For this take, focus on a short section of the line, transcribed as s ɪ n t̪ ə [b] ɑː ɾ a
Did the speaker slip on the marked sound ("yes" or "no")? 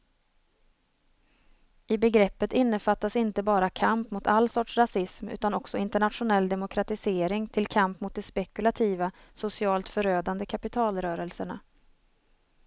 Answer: no